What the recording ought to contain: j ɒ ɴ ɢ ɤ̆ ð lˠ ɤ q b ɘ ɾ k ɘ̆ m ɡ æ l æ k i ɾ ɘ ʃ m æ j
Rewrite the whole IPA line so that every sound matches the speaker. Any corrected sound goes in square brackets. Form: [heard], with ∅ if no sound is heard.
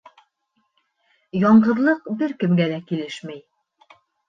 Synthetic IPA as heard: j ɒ ɴ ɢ ɤ̆ ð lˠ ɤ q b ɘ ɾ k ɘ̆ m ɡ æ l æ k i [l] ɘ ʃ m æ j